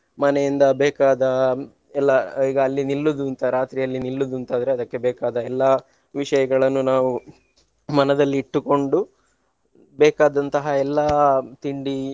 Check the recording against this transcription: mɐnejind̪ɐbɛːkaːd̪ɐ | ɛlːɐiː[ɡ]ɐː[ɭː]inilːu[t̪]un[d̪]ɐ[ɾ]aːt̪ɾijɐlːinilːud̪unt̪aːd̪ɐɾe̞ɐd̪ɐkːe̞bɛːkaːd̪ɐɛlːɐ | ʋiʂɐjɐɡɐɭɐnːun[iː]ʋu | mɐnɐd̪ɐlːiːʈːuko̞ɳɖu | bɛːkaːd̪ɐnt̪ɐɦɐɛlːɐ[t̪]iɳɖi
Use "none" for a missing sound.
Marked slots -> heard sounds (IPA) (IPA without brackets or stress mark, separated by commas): ɡ, lː, d̪, t̪, ɾ, aː, t̪